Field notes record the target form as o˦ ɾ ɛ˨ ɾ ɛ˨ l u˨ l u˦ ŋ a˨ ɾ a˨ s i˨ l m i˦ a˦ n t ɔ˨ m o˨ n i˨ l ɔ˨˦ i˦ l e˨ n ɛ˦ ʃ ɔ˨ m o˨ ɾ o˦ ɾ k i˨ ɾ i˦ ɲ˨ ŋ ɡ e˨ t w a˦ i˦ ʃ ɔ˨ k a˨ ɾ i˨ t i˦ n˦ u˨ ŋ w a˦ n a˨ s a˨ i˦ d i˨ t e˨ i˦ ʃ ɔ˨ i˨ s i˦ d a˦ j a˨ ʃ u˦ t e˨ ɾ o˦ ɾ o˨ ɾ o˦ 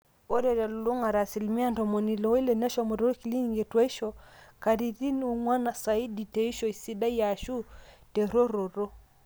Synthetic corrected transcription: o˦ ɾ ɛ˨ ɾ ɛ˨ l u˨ l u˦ ŋ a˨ ɾ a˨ s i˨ l m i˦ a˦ n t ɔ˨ m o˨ n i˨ l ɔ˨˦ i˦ l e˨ n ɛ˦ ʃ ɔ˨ m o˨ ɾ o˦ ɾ k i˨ l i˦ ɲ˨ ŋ ɡ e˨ t w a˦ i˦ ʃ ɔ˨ k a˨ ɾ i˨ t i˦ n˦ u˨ ŋ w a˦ n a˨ s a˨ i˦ d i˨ t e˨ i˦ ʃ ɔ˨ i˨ s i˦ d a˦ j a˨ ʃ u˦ t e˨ ɾ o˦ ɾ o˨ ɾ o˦